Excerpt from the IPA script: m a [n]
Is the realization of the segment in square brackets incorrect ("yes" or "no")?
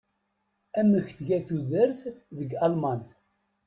no